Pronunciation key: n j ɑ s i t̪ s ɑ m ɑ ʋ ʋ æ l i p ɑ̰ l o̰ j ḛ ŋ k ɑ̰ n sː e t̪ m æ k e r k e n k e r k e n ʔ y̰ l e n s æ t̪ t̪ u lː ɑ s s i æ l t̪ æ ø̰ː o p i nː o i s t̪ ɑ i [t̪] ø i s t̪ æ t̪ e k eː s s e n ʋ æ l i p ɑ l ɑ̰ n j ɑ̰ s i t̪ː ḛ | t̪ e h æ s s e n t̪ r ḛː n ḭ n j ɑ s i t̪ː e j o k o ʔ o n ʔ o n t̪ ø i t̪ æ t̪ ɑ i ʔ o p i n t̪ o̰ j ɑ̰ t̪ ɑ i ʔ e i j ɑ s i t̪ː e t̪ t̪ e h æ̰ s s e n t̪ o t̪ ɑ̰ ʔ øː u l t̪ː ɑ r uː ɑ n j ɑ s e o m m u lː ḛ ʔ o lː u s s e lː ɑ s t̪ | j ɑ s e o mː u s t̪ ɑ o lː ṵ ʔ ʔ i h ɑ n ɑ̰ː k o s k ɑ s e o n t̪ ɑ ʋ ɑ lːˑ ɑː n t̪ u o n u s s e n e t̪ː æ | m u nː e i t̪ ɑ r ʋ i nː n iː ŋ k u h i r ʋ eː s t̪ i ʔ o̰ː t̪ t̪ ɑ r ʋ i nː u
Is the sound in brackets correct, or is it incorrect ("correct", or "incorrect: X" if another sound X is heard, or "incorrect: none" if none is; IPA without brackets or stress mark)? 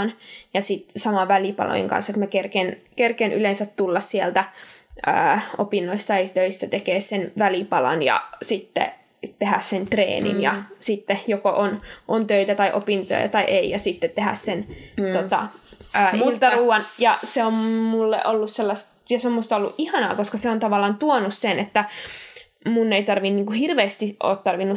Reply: correct